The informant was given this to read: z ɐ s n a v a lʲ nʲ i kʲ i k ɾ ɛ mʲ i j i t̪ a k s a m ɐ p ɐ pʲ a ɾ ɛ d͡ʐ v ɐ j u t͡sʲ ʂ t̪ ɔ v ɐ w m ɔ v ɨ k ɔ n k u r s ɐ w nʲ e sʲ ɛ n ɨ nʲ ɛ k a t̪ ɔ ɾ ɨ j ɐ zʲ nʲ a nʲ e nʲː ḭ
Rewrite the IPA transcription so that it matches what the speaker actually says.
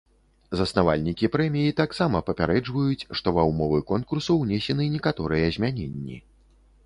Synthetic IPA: z ɐ s n a v a lʲ nʲ i kʲ i p ɾ ɛ mʲ i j i t̪ a k s a m ɐ p ɐ pʲ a ɾ ɛ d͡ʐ v ɐ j u t͡sʲ ʂ t̪ ɔ v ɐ w m ɔ v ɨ k ɔ n k u r s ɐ w nʲ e sʲ ɛ n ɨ nʲ ɛ k a t̪ ɔ ɾ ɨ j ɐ zʲ mʲ a nʲ e nʲː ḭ